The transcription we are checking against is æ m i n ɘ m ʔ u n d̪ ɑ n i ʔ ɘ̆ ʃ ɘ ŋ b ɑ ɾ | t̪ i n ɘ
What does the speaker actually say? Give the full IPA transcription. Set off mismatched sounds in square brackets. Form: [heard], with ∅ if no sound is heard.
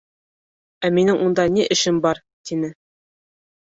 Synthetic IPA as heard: æ m i n ɘ [ŋ] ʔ u n d̪ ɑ n i ʔ ɘ̆ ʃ ɘ [m] b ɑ ɾ | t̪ i n ɘ